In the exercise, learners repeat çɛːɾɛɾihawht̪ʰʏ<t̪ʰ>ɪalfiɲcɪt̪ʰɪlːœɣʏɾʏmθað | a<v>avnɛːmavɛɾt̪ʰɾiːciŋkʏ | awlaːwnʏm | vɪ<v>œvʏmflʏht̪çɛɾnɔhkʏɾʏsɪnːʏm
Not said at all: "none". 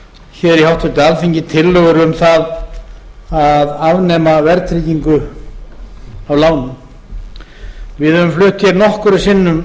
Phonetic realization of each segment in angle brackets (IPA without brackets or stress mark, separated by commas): t̪, ð, ð